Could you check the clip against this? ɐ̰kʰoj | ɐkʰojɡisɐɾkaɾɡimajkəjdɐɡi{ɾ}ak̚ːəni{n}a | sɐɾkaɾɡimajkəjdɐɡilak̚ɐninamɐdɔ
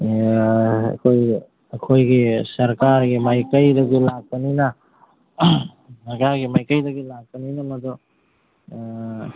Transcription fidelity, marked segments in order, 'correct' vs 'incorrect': incorrect: l, correct

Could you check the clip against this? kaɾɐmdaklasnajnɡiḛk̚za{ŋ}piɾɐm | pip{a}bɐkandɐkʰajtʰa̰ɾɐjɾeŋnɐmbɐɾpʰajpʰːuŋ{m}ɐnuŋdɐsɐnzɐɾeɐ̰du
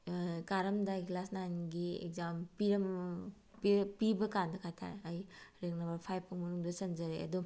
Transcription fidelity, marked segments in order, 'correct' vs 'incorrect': incorrect: m, incorrect: i, correct

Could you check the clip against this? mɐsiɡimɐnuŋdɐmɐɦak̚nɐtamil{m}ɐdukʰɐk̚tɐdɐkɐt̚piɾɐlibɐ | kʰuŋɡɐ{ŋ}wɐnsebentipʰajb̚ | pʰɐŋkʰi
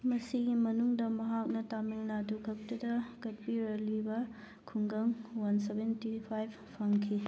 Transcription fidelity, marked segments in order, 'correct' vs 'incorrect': incorrect: n, correct

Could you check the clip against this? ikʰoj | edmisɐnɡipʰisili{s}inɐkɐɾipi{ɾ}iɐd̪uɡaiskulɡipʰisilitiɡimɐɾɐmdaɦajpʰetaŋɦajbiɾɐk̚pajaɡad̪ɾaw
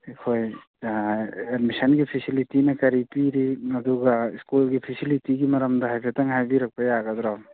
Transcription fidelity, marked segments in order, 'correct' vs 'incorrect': incorrect: t, correct

